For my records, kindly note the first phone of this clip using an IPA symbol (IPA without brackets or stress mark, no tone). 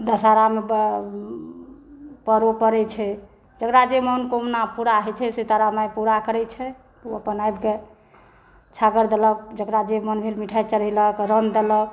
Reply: d̪